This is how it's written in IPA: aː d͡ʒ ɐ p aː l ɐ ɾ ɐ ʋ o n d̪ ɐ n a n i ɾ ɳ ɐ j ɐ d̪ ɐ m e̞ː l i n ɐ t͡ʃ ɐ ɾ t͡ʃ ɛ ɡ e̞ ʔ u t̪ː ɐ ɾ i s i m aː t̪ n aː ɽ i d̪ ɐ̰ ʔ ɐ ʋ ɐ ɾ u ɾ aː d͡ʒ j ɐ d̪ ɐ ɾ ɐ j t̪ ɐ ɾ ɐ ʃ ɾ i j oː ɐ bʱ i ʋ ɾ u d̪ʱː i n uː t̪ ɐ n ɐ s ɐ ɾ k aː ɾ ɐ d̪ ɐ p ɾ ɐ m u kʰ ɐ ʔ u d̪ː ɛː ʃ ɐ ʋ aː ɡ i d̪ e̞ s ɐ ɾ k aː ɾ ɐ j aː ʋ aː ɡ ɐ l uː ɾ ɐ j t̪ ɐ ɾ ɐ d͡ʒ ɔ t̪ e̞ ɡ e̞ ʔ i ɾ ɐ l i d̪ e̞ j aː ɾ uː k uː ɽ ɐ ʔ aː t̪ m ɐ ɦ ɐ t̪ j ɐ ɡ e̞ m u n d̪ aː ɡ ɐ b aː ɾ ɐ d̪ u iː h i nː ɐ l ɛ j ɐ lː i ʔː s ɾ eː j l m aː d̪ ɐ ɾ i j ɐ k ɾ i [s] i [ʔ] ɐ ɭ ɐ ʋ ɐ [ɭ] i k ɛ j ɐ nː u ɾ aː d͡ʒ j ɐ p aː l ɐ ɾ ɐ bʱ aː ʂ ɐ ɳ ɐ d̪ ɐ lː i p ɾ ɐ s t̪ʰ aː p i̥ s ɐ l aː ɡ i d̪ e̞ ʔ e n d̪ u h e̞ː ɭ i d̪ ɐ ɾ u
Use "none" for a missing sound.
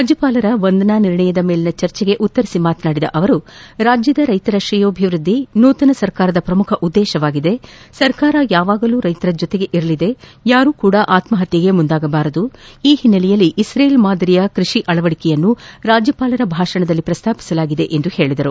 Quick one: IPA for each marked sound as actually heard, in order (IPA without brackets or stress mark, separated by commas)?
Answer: ʂ, ʔ, ɽ